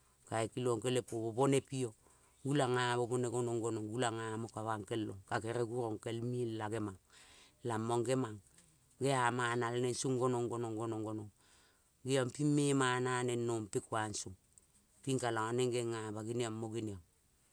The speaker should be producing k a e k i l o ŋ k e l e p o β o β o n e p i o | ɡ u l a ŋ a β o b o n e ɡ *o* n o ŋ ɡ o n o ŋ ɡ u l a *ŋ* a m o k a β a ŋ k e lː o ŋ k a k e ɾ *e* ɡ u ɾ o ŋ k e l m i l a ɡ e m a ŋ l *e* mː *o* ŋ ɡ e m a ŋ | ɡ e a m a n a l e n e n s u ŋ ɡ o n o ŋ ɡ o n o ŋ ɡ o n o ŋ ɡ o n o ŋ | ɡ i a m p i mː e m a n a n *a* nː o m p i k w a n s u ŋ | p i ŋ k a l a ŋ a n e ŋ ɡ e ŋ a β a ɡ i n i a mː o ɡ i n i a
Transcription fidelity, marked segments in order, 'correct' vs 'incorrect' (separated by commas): correct, correct, correct, incorrect, correct, incorrect